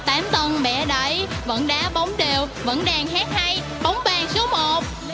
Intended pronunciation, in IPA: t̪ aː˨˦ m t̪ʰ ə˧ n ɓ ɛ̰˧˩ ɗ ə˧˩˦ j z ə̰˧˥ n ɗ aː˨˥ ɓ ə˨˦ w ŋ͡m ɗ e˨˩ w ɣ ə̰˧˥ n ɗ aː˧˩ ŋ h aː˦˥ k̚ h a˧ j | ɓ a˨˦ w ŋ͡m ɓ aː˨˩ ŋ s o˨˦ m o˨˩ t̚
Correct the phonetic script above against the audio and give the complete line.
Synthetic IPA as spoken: t̪ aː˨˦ m t̪ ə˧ n ɓ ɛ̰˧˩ ɗ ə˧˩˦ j v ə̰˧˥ n ɗ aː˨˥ ɓ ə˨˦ w ŋ͡m ɗ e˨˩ w v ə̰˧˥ n ɗ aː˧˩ ŋ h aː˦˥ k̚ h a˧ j | ɓ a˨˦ w ŋ͡m ɓ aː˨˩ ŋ s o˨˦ m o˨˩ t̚